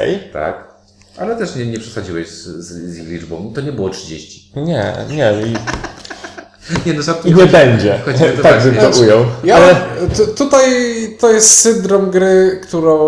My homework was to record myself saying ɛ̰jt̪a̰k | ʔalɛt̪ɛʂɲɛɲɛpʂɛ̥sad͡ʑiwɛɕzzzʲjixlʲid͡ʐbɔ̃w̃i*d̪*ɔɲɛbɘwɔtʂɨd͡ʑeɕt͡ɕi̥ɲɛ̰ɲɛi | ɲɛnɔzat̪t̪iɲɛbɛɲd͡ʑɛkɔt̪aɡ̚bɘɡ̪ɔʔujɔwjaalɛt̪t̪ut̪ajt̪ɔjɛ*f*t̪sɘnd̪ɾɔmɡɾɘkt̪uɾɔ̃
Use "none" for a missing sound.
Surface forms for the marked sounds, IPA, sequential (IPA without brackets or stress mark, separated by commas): t̪, s